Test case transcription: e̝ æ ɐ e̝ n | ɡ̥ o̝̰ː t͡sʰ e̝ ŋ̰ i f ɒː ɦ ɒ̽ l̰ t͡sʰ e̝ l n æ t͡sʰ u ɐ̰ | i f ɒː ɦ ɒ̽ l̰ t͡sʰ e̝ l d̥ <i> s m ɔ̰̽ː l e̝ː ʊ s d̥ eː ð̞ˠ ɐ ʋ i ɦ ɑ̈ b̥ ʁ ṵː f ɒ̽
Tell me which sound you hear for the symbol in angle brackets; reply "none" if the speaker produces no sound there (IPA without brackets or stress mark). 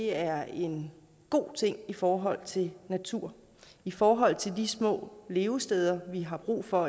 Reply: i